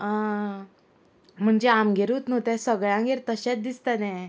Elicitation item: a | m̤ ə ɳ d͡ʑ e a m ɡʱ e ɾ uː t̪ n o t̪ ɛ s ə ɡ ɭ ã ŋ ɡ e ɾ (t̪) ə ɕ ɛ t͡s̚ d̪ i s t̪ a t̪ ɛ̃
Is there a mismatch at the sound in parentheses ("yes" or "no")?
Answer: no